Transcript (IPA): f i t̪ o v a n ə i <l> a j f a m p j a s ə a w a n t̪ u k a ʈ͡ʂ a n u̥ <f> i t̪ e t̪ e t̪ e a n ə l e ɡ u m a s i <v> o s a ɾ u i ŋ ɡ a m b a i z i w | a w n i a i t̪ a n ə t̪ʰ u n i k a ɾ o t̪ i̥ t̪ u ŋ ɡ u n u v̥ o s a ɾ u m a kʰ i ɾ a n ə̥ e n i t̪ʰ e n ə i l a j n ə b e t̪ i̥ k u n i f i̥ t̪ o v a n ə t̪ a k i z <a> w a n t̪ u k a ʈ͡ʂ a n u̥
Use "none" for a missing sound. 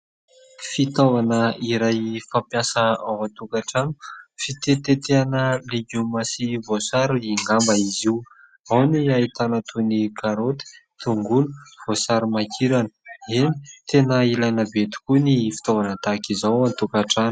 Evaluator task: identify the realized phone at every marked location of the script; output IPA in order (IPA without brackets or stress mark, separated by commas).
ɾ, f, v, a